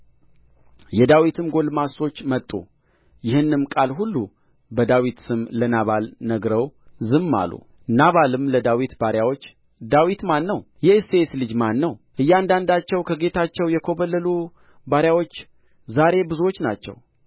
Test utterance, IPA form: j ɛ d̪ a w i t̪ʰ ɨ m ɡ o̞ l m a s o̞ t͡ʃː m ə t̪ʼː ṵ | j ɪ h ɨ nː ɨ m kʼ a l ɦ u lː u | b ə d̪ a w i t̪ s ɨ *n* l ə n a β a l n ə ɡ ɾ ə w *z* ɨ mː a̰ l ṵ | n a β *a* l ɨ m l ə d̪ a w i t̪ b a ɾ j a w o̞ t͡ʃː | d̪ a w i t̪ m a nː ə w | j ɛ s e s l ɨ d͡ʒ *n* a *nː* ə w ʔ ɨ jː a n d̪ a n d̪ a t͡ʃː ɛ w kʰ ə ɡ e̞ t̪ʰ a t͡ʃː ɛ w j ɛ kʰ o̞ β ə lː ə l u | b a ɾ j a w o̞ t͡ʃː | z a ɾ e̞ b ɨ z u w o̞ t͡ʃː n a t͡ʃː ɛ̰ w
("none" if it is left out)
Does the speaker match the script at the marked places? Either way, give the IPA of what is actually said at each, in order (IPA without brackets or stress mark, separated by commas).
m, z, a, m, nː